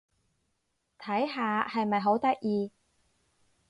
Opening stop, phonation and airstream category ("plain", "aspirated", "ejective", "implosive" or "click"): aspirated